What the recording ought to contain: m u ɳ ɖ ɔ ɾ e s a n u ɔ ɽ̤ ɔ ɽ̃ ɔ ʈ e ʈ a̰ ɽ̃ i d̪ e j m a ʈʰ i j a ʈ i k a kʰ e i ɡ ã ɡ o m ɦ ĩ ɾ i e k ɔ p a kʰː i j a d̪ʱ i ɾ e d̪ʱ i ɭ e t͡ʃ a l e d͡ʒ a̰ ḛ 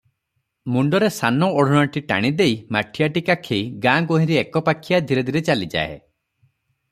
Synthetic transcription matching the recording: m u ɳ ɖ ɔ ɾ e s a n ɔ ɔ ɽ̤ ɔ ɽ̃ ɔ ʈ i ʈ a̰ ɽ̃ i d̪ e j m a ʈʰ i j a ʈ i k a kʰ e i ɡ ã ɡ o ɦ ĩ ɾ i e k ɔ p a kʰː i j a d̪ʱ i ɾ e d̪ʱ i ɾ e t͡ʃ a l i d͡ʒ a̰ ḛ